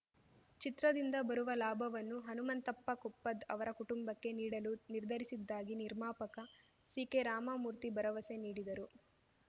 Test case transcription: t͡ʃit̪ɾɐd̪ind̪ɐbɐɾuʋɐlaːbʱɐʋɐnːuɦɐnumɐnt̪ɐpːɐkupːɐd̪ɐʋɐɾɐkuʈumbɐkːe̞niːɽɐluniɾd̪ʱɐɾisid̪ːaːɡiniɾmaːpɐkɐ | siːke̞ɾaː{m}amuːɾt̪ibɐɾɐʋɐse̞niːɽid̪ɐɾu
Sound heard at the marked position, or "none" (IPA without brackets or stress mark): m